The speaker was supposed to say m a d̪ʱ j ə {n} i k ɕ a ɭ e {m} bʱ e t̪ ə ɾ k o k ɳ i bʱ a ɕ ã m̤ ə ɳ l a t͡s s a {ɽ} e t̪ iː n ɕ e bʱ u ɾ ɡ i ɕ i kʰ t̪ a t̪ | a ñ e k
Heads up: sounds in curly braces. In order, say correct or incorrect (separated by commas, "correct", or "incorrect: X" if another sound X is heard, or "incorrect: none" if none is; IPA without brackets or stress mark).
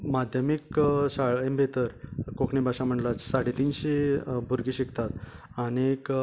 incorrect: m, correct, correct